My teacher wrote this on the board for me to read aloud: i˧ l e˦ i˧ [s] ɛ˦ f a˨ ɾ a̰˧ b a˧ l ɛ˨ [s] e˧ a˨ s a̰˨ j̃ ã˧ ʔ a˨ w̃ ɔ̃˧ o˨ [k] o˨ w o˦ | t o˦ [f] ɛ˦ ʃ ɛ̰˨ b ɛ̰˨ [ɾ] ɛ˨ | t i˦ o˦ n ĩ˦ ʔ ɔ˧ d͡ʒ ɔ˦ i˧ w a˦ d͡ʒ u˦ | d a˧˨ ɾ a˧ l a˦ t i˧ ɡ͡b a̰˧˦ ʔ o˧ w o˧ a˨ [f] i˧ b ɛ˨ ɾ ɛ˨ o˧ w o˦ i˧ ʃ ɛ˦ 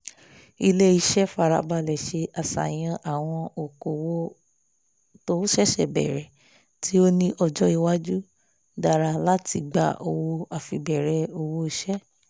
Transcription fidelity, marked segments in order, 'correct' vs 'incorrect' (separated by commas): incorrect, incorrect, correct, incorrect, correct, correct